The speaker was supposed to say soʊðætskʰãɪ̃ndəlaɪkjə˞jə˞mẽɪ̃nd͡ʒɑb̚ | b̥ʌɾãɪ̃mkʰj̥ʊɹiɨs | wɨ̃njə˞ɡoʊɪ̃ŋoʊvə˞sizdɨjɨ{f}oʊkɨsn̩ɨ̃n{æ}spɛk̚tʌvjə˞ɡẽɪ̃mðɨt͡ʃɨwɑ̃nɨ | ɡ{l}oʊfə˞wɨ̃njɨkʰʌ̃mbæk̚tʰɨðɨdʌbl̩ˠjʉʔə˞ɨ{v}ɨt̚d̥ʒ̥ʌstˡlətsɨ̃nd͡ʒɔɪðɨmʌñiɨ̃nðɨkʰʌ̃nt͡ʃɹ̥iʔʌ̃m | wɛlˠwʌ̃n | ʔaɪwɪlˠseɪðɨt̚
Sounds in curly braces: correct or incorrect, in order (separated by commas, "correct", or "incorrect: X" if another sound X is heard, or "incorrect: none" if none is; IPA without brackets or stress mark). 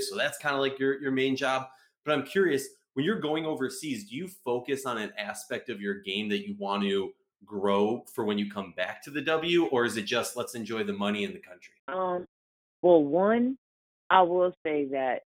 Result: correct, correct, incorrect: ɹ, incorrect: z